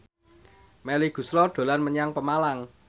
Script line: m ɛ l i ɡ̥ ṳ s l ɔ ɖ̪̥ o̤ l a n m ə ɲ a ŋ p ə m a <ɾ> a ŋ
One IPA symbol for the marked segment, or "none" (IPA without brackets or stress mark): l